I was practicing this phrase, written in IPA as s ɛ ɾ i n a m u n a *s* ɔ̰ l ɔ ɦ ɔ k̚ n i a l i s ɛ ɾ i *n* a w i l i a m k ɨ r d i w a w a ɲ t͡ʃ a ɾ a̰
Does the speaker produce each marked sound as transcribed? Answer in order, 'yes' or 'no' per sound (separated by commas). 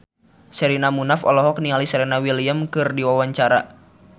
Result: no, yes